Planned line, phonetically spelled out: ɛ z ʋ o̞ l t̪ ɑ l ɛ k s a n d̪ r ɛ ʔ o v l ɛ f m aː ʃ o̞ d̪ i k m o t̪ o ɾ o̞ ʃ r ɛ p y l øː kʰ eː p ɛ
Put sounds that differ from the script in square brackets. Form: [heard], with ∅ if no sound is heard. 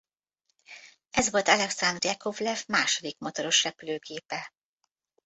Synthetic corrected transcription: ɛ z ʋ o̞ l t̪ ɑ l ɛ k s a n d̪ r ɛ [k] o v l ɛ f m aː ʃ o̞ d̪ i k m o t̪ o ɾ o̞ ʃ r ɛ p y l øː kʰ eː p ɛ